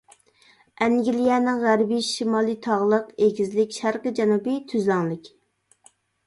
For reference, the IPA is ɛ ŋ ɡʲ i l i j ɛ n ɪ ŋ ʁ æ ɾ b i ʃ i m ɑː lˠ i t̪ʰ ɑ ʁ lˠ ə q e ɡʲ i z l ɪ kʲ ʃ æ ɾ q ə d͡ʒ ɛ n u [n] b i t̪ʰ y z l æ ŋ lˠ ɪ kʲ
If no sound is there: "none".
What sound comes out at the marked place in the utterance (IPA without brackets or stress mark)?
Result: none